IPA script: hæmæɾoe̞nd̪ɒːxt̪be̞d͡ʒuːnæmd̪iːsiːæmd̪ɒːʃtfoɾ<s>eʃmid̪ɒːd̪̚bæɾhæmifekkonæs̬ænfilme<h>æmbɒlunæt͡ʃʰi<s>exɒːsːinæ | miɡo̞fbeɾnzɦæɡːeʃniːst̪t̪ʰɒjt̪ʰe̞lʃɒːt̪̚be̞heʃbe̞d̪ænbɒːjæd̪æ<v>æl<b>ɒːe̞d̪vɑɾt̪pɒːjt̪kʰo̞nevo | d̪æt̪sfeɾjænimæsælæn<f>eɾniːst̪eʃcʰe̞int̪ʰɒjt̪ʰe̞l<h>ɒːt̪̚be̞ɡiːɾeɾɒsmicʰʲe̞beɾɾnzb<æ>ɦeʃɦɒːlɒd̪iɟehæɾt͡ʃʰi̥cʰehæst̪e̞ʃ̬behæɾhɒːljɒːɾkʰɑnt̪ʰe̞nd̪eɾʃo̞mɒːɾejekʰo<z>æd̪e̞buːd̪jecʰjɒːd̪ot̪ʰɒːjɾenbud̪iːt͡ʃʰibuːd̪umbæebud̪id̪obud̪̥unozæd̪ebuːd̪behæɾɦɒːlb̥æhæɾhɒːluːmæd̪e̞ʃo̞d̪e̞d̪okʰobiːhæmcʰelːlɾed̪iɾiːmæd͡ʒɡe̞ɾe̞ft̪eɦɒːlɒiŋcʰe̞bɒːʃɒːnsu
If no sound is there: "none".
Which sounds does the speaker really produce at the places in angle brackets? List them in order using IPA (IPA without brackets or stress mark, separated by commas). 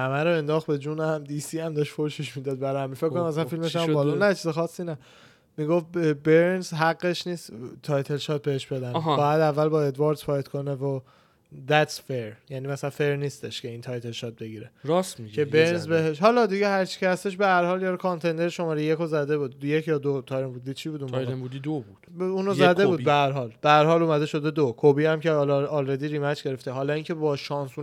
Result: ʃ, ʃ, z, vː, b, f, ʃ, e, z